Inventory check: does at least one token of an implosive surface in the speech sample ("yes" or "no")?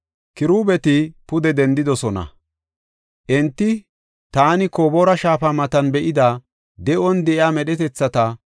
yes